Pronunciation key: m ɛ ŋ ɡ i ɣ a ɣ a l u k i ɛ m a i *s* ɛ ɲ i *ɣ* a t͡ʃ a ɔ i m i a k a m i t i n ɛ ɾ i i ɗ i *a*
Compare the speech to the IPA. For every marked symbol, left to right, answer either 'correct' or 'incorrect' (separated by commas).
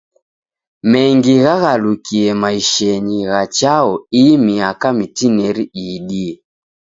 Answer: incorrect, correct, incorrect